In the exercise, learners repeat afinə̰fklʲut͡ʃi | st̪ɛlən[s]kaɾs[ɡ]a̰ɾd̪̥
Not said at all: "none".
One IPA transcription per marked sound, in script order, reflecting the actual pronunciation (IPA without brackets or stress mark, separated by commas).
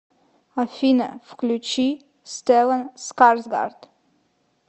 s, ɡ